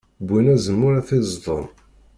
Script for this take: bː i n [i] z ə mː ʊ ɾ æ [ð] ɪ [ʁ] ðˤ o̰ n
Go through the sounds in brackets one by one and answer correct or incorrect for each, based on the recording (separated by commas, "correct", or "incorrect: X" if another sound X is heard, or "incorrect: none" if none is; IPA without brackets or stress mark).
incorrect: æ, incorrect: θ, incorrect: z